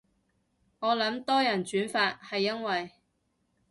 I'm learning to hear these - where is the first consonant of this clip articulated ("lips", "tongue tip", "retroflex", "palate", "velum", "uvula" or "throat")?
velum